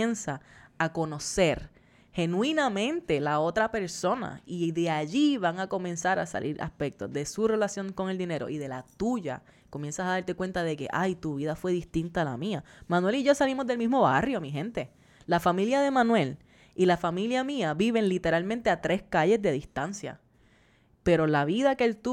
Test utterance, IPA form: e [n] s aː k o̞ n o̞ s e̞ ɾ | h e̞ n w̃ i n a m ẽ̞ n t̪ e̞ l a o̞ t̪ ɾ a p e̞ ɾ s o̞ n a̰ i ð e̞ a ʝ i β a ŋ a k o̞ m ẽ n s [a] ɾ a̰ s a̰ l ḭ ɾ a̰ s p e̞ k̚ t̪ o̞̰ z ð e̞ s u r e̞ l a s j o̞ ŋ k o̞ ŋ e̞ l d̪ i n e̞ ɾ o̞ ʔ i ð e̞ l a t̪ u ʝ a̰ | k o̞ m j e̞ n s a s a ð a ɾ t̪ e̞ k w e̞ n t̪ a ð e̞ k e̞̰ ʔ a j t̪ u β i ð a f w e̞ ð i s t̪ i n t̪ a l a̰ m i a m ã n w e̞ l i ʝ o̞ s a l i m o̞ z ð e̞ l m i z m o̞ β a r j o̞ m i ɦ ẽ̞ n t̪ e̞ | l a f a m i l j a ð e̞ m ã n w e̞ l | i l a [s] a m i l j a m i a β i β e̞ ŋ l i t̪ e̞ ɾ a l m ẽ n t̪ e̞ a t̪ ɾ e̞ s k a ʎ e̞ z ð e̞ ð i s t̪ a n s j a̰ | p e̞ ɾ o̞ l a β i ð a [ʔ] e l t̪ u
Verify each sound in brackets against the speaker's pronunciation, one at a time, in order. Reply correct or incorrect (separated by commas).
correct, correct, incorrect, incorrect